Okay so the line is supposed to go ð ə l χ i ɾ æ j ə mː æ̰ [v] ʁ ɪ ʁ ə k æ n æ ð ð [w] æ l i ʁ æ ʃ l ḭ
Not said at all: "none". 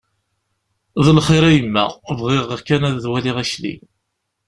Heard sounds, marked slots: v, w

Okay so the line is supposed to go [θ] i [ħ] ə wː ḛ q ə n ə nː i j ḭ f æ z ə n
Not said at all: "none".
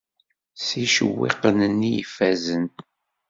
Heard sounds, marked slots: s, ʃ

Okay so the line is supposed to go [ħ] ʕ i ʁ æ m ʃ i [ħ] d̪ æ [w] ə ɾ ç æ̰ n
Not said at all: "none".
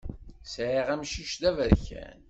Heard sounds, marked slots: s, ʃ, v

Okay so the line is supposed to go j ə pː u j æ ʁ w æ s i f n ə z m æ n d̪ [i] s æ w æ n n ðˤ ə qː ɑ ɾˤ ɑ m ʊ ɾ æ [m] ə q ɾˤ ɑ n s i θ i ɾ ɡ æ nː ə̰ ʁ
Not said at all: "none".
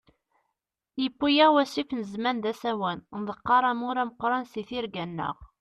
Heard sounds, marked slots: æ, m

